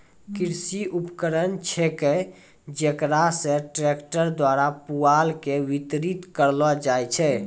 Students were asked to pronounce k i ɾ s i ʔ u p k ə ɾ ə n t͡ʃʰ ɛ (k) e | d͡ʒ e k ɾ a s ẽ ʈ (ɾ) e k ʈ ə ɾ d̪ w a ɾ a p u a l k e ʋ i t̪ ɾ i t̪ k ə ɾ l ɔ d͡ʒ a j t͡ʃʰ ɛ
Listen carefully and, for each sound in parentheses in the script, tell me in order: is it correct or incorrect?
correct, correct

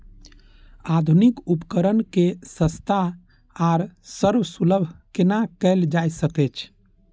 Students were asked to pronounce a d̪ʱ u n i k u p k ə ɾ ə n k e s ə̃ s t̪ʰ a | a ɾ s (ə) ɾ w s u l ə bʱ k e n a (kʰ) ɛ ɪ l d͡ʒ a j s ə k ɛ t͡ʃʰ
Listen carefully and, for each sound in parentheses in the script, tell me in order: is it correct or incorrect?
correct, incorrect: k

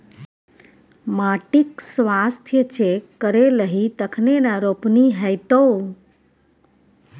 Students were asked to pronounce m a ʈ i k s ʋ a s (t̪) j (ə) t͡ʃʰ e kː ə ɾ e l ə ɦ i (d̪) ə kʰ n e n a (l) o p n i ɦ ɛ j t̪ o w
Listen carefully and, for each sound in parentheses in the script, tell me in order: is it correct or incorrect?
incorrect: t̪ʰ, correct, incorrect: t̪, incorrect: ɾ

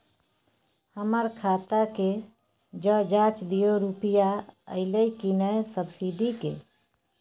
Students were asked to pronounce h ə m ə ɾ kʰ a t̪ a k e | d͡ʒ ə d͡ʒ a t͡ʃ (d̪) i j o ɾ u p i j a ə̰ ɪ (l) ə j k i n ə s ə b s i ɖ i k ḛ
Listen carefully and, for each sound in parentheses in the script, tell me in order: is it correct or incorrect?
correct, correct

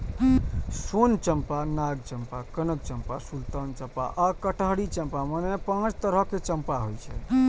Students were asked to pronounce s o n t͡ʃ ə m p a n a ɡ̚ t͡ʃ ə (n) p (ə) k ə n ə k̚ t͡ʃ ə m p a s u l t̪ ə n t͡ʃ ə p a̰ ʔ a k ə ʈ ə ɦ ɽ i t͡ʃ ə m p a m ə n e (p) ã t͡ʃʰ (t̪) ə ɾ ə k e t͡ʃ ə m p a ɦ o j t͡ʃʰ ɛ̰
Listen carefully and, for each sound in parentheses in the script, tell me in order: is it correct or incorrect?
incorrect: m, incorrect: a, correct, correct

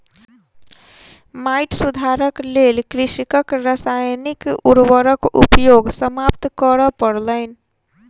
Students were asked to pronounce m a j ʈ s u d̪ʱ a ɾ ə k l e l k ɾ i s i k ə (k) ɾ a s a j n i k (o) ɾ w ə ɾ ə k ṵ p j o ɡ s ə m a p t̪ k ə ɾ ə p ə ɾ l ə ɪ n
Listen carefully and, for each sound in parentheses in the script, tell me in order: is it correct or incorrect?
correct, incorrect: u

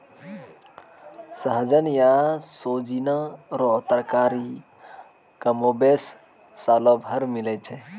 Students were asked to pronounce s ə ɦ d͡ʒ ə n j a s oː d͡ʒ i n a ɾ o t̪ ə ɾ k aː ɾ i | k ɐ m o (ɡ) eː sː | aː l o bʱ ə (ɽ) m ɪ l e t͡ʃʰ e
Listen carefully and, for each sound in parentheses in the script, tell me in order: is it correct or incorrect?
incorrect: b, incorrect: ɾ

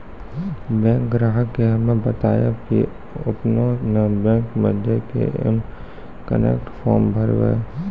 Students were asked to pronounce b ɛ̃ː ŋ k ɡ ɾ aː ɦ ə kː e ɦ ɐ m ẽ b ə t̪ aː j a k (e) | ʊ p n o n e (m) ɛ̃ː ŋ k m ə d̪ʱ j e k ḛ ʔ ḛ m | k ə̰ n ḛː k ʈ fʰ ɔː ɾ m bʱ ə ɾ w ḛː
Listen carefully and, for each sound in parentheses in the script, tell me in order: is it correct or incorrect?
incorrect: i, incorrect: b

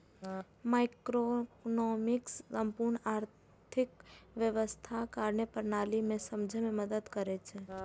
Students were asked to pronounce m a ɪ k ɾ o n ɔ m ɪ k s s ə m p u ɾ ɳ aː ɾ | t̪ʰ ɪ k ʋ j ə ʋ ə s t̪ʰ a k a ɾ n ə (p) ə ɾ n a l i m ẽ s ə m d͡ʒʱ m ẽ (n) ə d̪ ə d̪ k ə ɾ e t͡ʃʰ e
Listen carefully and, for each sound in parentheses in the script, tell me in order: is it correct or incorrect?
correct, incorrect: m

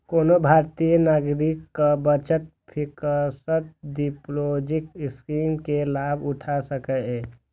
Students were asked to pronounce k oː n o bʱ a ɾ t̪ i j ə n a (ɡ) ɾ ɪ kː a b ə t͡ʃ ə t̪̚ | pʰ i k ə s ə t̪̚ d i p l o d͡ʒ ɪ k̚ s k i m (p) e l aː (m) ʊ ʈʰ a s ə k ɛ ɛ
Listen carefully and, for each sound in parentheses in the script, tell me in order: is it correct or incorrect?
correct, incorrect: k, incorrect: b

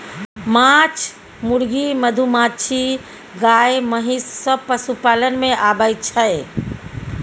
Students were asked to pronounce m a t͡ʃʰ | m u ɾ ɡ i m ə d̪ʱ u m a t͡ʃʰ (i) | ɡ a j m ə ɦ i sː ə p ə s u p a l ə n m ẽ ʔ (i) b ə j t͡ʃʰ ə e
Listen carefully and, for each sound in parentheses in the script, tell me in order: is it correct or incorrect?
correct, incorrect: a

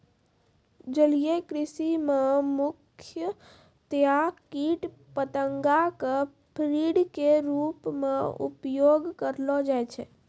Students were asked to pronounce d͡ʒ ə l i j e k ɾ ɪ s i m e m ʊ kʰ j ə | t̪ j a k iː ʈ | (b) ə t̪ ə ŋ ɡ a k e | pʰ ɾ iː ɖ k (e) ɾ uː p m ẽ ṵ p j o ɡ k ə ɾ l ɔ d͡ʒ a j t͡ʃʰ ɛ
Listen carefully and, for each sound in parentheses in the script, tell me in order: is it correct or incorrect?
incorrect: p, correct

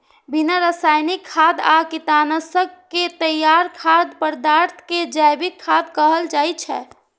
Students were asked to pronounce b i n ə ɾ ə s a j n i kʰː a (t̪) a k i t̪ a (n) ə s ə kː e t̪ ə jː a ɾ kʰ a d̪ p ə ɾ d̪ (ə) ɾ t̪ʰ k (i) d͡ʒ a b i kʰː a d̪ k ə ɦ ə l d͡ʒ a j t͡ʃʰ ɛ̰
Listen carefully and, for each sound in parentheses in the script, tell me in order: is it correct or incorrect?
incorrect: d̪, correct, incorrect: a, incorrect: e

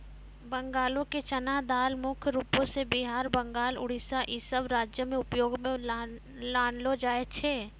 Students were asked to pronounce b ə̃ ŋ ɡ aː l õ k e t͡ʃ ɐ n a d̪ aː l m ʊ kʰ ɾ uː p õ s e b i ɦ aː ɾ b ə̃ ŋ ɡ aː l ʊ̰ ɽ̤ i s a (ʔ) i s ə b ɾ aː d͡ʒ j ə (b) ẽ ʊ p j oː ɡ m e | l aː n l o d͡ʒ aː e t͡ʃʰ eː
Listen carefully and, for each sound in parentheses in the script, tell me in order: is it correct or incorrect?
correct, incorrect: m

